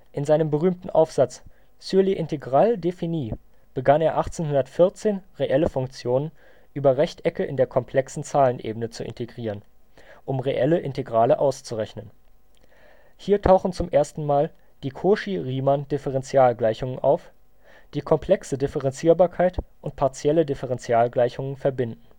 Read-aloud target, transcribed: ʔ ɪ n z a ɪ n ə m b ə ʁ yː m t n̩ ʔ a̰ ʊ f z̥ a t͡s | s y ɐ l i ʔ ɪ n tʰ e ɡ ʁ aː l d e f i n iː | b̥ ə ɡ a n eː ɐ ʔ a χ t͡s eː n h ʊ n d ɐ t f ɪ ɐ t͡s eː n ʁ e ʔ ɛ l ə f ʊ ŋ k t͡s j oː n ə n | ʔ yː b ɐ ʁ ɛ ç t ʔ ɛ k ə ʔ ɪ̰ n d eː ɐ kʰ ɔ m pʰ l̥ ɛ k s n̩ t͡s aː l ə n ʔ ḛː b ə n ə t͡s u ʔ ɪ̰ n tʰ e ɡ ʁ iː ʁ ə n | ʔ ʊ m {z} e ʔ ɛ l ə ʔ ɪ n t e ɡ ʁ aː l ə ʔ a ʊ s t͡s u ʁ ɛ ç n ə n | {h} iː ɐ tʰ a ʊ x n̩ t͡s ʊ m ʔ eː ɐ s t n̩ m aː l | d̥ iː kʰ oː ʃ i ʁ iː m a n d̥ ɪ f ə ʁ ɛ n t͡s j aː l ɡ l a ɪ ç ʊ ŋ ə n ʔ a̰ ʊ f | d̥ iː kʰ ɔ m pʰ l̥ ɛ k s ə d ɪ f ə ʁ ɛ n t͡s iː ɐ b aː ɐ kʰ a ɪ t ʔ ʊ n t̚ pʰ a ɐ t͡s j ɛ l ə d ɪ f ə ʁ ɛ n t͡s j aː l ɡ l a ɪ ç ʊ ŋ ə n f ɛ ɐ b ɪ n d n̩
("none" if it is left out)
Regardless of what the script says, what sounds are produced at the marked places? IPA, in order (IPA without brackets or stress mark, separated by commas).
ʁ, h